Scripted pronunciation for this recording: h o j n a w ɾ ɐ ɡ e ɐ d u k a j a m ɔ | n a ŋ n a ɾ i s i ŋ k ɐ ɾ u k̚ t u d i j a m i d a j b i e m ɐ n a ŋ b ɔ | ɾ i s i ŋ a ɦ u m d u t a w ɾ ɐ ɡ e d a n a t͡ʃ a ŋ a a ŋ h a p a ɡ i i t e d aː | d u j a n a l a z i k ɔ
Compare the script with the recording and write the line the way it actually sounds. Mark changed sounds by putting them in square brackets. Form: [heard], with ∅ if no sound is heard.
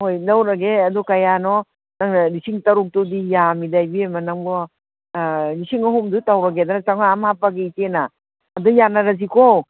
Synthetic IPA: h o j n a w ɾ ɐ ɡ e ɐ d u k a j a [n] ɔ | n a ŋ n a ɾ i s i ŋ [t] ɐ ɾ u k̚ t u d i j a m i d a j b i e m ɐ n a ŋ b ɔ | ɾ i s i ŋ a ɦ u m d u t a w ɾ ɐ ɡ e d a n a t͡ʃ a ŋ a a [m] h a p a ɡ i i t e [n] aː | d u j a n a [ɾ] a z i k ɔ

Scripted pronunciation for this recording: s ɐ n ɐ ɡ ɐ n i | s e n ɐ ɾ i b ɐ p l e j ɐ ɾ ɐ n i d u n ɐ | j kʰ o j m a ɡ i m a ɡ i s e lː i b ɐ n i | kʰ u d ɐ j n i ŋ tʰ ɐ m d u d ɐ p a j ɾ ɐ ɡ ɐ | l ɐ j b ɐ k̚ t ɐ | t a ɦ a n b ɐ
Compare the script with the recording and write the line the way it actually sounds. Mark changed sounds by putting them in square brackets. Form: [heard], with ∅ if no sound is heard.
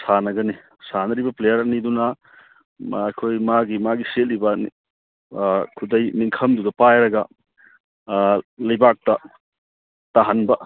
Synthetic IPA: s [a] n ɐ ɡ ɐ n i | s [a] n ɐ ɾ i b ɐ p l e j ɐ ɾ ɐ n i d u n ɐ | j kʰ o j m a ɡ i m a ɡ i s e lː i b ɐ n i | kʰ u d ɐ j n i ŋ [kʰ] ɐ m d u d ɐ p a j ɾ ɐ ɡ ɐ | l ɐ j b [a] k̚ t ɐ | t a ɦ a n b ɐ

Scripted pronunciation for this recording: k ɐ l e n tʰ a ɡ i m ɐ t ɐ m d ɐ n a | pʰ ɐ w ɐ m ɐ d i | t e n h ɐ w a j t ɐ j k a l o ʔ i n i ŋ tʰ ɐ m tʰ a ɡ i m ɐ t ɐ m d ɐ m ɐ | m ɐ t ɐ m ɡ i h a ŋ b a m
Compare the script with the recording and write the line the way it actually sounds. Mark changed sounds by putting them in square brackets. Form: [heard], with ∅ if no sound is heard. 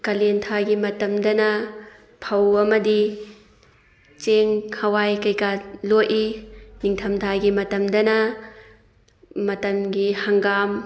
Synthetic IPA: k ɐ l e n tʰ a ɡ i m ɐ t ɐ m d ɐ n [ɐ] | pʰ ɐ w ɐ m ɐ d i | [t͡ʃ] e [ŋ] h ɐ w a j [k] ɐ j k a l o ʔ i n i ŋ tʰ ɐ m tʰ a ɡ i m ɐ t ɐ m d ɐ [n] ɐ | m ɐ t ɐ m ɡ i h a ŋ [ɡ] a m

